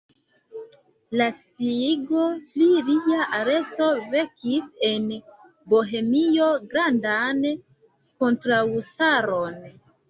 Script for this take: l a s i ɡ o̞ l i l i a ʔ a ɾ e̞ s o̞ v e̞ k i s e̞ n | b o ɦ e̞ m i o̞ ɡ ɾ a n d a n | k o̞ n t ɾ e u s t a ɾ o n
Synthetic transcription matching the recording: l a s i ɡ o̞ l i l i a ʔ a ɾ e̞ t͡s o̞ v e̞ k i s e̞ n | b o ɦ e̞ m i o̞ ɡ ɾ a n d a n | k o̞ n t ɾ a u s t a ɾ o n